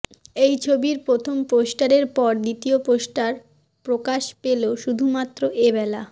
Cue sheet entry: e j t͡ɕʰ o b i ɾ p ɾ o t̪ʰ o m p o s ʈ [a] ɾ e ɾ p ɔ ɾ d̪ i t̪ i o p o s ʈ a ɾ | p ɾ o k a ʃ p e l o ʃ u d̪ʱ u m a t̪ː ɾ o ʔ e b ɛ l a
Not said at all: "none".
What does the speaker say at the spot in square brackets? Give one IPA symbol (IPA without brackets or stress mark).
a